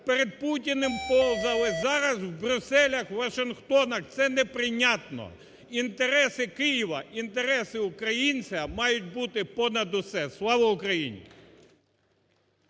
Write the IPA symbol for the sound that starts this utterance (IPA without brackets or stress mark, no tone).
p